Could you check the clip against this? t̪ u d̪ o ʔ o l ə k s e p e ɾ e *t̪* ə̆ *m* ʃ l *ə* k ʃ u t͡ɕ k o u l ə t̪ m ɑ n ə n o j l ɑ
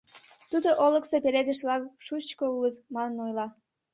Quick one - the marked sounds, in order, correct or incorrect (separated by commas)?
incorrect, incorrect, incorrect